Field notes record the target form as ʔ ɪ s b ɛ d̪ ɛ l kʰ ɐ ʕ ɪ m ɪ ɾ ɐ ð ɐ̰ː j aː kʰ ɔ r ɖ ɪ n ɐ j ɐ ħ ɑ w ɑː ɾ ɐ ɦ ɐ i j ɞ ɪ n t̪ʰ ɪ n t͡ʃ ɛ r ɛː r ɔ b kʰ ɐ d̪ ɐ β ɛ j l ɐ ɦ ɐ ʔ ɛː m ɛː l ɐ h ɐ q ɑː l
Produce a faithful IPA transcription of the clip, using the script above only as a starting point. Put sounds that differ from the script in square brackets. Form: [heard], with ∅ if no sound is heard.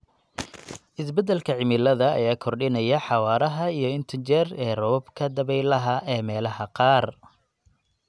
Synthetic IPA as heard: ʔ ɪ s b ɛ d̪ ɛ l kʰ ɐ ʕ ɪ m ɪ [l] ɐ ð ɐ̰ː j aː kʰ ɔ r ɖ ɪ n ɐ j ɐ ħ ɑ w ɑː ɾ ɐ ɦ ɐ i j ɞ ɪ n t̪ʰ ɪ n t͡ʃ ɛ r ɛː r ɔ b kʰ ɐ d̪ ɐ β ɛ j l ɐ ɦ ɐ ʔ ɛː m ɛː l ɐ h ɐ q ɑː [r]